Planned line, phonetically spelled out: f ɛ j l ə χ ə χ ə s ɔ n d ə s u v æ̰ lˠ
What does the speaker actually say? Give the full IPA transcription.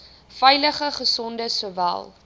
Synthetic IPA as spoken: f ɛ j l ə χ ə χ ə s ɔ n d ə s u v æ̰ lˠ